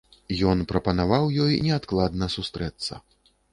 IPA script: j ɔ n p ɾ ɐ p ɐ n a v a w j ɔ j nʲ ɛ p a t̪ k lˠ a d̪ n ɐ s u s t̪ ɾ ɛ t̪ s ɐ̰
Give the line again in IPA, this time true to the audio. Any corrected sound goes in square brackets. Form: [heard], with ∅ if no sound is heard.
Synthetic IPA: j ɔ n p ɾ ɐ p ɐ n a v a w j ɔ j nʲ ɛ [∅] a t̪ k lˠ a d̪ n ɐ s u s t̪ ɾ ɛ t̪ [sː] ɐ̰

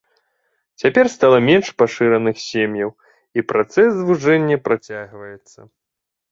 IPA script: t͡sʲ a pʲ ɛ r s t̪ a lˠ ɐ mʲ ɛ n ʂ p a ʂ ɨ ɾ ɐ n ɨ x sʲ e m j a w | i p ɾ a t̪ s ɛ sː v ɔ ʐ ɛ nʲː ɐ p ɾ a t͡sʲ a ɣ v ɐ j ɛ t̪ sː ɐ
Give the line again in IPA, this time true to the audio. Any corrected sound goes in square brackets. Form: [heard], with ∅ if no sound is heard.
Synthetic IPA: t͡sʲ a pʲ ɛ r s t̪ a lˠ ɐ mʲ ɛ n ʂ p a ʂ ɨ ɾ ɐ n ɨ x sʲ e m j [ɐ] w | i p ɾ a t̪ s ɛ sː v [u] ʐ ɛ nʲː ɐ p ɾ a t͡sʲ a ɣ v ɐ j ɛ t̪ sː ɐ

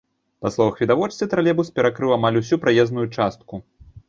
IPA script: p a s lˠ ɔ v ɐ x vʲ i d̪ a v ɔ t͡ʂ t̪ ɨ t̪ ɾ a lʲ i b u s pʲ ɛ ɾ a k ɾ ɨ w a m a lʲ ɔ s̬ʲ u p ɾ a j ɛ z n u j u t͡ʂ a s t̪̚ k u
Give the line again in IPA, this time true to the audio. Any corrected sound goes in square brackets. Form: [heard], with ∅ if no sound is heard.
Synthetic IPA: p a s lˠ ɔ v ɐ x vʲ i d̪ a v ɔ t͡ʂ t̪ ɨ t̪ ɾ a lʲ [ɛ] b u s pʲ ɛ ɾ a k ɾ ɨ w a m a lʲ [u] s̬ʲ u p ɾ a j ɛ z n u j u t͡ʂ a s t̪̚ k u

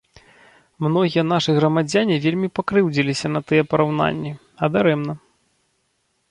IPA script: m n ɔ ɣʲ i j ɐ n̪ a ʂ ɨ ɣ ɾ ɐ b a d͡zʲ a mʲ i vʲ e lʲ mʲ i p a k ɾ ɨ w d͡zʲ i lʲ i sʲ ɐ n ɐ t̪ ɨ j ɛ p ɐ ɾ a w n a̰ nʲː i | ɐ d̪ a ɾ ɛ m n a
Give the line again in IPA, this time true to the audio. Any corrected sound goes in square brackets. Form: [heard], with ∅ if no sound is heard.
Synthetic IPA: m n ɔ ɣʲ i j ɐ n̪ a ʂ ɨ ɣ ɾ ɐ [m] a d͡zʲ a [nʲ] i vʲ e lʲ mʲ i p a k ɾ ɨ w d͡zʲ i lʲ i sʲ ɐ n ɐ t̪ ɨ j ɛ p ɐ ɾ a w n a̰ nʲː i | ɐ d̪ a ɾ ɛ m n [ɐ]

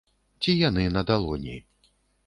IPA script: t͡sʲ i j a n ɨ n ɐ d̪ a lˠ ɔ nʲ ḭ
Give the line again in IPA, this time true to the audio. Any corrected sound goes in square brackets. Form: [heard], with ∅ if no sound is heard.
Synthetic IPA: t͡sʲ i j a n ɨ n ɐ d̪ a lˠ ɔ nʲ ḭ

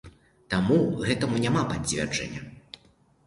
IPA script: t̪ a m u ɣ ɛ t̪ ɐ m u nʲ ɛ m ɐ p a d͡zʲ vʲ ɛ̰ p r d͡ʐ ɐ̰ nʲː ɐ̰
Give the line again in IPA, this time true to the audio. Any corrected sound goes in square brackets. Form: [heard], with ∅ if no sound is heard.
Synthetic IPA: t̪ a m u ɣ ɛ t̪ ɐ m u nʲ [a] m [a] p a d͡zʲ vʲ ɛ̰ [∅] r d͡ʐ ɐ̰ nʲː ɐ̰

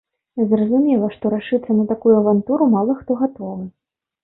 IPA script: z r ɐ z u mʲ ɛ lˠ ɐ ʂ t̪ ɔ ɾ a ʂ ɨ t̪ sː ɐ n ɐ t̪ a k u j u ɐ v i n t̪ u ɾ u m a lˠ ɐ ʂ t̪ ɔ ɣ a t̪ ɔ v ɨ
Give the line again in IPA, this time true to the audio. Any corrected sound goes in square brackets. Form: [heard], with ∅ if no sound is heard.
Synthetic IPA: z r ɐ z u mʲ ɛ lˠ ɐ ʂ t̪ ɔ ɾ a ʂ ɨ t̪ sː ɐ n ɐ t̪ a k u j u ɐ v [a] n t̪ u ɾ u m a lˠ ɐ [x] t̪ ɔ ɣ a t̪ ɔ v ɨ

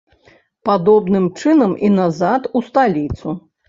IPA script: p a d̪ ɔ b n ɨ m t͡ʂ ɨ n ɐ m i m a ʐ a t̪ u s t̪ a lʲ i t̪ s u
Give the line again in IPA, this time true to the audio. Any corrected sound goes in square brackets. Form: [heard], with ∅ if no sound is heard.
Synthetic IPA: p a d̪ ɔ b n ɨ m t͡ʂ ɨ n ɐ m i [n] a [z] a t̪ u s t̪ a lʲ i t̪ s u

